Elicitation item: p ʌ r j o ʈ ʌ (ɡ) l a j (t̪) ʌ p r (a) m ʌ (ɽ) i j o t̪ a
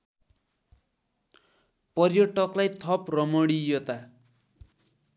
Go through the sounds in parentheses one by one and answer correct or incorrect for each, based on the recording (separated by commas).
incorrect, incorrect, incorrect, correct